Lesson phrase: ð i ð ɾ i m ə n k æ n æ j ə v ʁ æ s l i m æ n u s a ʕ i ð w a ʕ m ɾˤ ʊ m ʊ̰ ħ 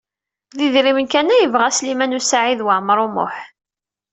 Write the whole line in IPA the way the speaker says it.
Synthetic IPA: ð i ð ɾ i m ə n k æ n æ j ə v ʁ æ s l i m æ n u s a ʕ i ð w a ʕ m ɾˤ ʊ m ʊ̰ ħ